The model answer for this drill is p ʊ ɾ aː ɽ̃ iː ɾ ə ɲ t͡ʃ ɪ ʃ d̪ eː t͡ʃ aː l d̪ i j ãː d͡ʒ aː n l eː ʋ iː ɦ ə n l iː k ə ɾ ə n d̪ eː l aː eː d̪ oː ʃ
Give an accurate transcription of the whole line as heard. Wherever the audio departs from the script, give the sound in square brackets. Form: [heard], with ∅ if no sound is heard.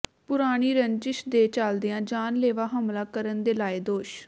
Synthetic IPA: p ʊ ɾ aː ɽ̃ iː ɾ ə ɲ t͡ʃ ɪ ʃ d̪ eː t͡ʃ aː l d̪ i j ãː d͡ʒ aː n l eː ʋ [aː] ɦ ə [m] l [aː] k ə ɾ ə n d̪ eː l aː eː d̪ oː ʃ